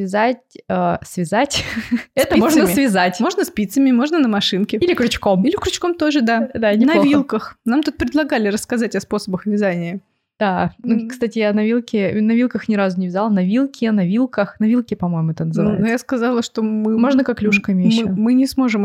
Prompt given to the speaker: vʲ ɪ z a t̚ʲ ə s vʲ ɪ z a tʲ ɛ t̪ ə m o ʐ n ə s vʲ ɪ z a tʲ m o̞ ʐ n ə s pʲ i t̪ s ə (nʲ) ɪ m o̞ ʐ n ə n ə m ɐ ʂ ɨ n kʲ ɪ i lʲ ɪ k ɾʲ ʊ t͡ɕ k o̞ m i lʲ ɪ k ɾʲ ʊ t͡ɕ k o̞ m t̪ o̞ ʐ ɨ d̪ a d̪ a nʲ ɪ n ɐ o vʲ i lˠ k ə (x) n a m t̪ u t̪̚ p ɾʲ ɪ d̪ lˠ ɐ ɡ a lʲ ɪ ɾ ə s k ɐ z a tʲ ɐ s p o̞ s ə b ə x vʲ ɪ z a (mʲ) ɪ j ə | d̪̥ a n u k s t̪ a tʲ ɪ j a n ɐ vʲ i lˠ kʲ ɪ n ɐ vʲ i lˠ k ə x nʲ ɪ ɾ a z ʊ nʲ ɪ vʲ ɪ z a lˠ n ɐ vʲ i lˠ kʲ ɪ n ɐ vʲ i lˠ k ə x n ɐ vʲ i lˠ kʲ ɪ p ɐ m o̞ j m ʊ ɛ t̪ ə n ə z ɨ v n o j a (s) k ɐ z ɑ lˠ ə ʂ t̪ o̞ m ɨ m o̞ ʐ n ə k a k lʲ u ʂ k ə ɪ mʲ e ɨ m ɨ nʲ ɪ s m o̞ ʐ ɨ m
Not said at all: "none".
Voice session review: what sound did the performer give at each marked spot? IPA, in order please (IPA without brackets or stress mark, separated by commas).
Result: mʲ, x, nʲ, s